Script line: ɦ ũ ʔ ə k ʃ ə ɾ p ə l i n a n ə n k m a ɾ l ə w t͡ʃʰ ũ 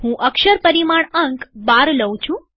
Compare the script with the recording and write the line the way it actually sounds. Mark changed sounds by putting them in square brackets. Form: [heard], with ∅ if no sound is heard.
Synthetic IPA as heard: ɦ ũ ʔ ə k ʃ ə ɾ p ə [ɾ] i [m] a [ɳ] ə [ŋ] k [b] a ɾ l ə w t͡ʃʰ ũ